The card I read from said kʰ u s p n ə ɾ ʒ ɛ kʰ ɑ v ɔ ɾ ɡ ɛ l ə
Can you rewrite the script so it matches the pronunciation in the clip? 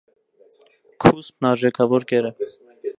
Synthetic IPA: kʰ u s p n ɑ ɾ ʒ ɛ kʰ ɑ v ɔ ɾ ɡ ɛ ɾ ə

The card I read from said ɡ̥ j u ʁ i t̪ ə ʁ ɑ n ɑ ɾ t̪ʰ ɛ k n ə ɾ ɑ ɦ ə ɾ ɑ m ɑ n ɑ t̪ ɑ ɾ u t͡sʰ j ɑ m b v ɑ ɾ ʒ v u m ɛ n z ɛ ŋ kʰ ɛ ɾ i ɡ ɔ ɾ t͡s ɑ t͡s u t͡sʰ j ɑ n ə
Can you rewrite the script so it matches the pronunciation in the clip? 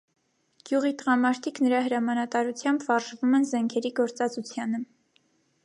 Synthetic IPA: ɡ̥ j u ʁ i t̪ ə ʁ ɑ m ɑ ɾ t̪ʰ i k n ə ɾ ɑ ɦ ə ɾ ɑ m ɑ n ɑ t̪ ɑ ɾ u t͡sʰ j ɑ m b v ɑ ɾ ʒ v u m ɛ n z ɛ ŋ kʰ ɛ ɾ i ɡ ɔ ɾ t͡s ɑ t͡s u t͡sʰ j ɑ n ə

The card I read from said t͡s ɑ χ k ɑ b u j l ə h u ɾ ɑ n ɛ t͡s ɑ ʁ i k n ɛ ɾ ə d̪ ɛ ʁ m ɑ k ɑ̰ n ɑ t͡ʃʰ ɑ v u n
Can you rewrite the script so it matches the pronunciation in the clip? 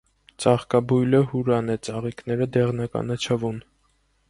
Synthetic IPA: t͡s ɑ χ k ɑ b u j l ə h u ɾ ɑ n ɛ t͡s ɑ ʁ i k n ɛ ɾ ə d̪ ɛ ʁ n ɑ k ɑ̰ n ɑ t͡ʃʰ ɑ v u n

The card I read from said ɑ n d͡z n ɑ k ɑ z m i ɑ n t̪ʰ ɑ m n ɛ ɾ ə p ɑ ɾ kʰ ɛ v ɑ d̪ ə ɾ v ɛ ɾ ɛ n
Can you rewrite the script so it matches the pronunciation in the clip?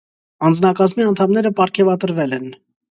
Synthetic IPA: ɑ n d͡z n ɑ k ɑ z m i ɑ n t̪ʰ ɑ m n ɛ ɾ ə p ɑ ɾ kʰ ɛ v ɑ t̪ ə ɾ v ɛ l ɛ n

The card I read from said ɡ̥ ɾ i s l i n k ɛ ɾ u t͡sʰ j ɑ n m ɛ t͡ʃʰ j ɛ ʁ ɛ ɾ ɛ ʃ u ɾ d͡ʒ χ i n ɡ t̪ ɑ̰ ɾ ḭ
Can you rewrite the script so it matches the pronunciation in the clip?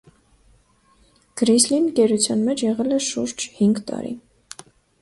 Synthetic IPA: ɡ̥ ɾ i s l i n k ɛ ɾ u t͡sʰ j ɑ n m ɛ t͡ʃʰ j ɛ ʁ ɛ l ɛ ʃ u ɾ d͡ʒ h i ŋ ɡ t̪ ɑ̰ ɾ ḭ

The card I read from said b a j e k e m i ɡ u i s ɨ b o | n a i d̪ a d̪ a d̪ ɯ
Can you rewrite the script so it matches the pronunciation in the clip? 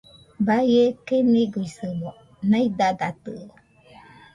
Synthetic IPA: b a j e k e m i ɡ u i s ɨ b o | n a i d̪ a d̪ a t̪ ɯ

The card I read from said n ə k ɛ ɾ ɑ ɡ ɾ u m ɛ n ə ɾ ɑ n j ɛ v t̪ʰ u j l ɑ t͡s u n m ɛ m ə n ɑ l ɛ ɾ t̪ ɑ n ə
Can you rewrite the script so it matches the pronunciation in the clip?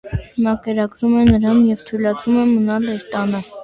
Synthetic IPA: n ɑ k ɛ ɾ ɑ ɡ ɾ u m ɛ n ə ɾ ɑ n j ɛ v t̪ʰ u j l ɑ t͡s u m ɛ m ə n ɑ l ɛ ɾ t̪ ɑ n ə

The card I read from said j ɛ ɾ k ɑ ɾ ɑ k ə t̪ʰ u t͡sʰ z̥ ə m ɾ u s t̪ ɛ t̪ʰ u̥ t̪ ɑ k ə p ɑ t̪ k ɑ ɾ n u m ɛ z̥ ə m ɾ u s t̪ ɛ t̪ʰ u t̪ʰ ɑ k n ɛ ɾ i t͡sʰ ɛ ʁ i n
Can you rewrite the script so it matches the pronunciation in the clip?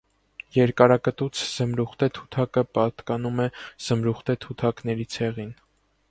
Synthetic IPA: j ɛ ɾ k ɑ ɾ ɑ k ə t̪ u t͡sʰ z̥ ə m ɾ u χ t̪ ɛ t̪ʰ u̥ t̪ʰ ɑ k ə p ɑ t̪ k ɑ n u m ɛ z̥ ə m ɾ u χ t̪ ɛ t̪ʰ u t̪ʰ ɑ k n ɛ ɾ i t͡sʰ ɛ ʁ i n

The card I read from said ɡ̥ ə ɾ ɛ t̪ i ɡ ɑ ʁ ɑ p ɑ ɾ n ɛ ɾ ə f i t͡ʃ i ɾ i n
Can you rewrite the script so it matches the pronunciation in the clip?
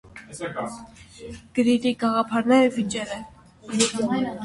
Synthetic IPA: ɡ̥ ə ɾ i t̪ i ɡ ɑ ʁ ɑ pʰ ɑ ɾ n ɛ ɾ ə v i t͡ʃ ɛ ɾ ɛ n

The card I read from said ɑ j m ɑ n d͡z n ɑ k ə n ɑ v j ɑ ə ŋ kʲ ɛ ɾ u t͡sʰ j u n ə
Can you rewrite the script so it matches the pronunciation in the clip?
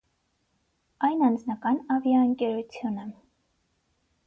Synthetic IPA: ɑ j n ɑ n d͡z n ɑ k ɑ n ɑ v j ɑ ə ŋ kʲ ɛ ɾ u t͡sʰ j u n ə

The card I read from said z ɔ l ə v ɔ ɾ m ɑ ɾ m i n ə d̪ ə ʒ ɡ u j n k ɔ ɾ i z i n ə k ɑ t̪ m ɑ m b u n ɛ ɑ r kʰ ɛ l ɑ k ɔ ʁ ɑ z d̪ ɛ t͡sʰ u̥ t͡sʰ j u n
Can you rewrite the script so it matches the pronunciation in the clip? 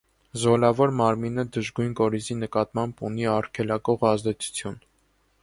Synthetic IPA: z ɔ l ɑ v ɔ ɾ m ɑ ɾ m i n ə d̪ ə ʒ ɡ u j n k ɔ ɾ i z i n ə k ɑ t̪ m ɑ m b u n i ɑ r kʰ ɛ l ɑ k ɔ ʁ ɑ z d̪ ɛ t͡sʰ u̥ t͡sʰ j u n

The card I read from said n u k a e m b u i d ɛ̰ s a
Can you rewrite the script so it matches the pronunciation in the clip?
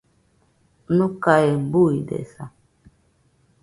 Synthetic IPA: n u k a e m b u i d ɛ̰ s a

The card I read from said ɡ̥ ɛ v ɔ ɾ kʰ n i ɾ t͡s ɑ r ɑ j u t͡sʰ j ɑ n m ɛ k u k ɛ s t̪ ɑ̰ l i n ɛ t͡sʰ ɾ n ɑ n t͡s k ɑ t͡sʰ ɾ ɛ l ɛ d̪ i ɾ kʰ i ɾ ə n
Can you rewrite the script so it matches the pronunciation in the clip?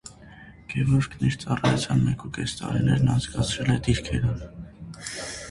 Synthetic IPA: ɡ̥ ɛ v ɔ ɾ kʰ n i ɾ t͡s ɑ r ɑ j u t͡sʰ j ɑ n m ɛ k u k ɛ s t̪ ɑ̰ ɾ i n ɛ ɾ n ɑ n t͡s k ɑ t͡sʰ ɾ ɛ l ɛ d̪ i ɾ kʰ ɛ ɾ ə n

